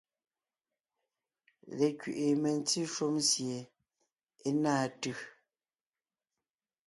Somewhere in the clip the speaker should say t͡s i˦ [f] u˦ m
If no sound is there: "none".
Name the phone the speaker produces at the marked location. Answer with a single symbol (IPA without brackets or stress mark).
ʃ